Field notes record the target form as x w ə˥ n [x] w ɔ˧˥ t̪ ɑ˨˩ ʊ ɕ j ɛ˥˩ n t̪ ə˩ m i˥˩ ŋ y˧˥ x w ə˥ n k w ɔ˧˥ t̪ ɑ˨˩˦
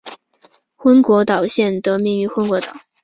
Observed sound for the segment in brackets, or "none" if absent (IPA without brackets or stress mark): k